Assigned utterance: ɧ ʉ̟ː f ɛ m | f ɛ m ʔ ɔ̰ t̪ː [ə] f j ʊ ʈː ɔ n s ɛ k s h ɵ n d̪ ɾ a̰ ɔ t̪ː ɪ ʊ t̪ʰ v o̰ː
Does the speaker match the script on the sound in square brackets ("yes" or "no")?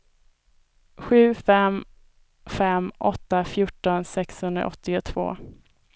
no